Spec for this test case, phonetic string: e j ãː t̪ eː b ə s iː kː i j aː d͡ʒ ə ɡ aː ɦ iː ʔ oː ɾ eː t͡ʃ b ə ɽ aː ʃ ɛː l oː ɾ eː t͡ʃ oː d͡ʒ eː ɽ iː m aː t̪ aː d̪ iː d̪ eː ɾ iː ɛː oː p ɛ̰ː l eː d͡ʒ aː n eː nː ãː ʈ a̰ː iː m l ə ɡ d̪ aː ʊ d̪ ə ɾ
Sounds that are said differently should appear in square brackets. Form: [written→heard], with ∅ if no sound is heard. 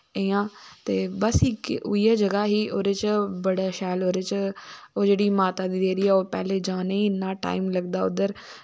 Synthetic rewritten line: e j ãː t̪ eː b ə s iː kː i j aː d͡ʒ ə ɡ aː ɦ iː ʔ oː ɾ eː t͡ʃ b ə ɽ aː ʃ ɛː l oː ɾ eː t͡ʃ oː d͡ʒ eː ɽ iː m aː t̪ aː d̪ iː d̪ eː ɾ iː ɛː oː p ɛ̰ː l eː d͡ʒ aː n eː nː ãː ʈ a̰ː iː m l ə ɡ d̪ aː ʊ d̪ ə ɾ